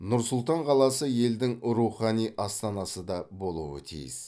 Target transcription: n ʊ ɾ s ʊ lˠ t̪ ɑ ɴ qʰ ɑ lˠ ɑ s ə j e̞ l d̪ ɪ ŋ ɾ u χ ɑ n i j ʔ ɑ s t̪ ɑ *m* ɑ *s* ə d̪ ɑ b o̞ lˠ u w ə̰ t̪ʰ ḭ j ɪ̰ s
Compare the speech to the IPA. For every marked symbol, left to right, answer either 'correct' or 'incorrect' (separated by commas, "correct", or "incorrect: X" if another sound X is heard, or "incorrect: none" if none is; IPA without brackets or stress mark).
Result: incorrect: n, correct